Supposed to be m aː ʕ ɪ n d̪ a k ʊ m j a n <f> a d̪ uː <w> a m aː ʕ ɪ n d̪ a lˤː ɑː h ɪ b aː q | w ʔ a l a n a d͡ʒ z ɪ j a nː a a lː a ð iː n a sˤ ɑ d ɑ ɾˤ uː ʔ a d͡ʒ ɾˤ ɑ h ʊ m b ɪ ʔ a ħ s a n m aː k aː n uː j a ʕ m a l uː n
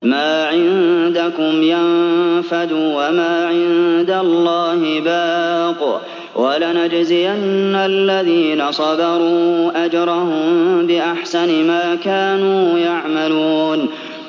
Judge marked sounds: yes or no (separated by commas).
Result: yes, yes